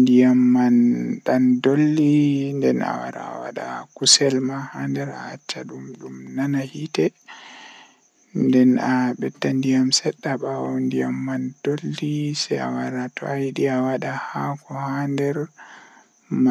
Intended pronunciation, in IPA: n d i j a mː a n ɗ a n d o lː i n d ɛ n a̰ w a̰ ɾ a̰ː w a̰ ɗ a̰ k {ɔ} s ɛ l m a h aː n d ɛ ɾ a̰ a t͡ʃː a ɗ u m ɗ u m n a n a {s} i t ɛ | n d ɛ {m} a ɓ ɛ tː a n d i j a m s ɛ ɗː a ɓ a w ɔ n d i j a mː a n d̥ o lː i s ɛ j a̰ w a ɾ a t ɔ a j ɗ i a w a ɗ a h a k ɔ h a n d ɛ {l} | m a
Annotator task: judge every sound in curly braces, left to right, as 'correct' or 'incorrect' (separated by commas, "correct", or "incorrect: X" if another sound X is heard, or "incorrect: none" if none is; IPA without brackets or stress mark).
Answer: incorrect: u, incorrect: h, incorrect: n, incorrect: ɾ